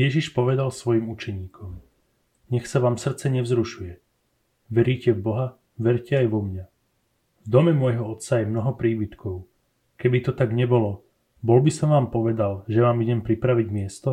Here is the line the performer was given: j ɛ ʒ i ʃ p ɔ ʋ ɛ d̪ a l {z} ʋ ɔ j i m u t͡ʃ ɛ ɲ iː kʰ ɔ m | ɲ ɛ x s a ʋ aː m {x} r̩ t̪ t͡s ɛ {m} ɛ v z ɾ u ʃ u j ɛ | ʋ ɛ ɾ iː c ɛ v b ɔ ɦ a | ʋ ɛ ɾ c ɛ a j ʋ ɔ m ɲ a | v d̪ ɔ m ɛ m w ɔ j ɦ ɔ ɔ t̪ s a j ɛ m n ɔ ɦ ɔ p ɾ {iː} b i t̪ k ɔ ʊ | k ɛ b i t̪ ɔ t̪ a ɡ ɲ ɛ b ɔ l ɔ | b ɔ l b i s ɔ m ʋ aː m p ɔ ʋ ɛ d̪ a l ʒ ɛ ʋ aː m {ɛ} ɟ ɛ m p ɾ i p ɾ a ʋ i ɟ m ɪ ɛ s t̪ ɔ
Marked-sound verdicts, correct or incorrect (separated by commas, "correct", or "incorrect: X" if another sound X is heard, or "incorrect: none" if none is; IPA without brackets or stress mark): incorrect: s, incorrect: s, incorrect: ɲ, correct, incorrect: i